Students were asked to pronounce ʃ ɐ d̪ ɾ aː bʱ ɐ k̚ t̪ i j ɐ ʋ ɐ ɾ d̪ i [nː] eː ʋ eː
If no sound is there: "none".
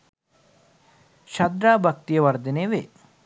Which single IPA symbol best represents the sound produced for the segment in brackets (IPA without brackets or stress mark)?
n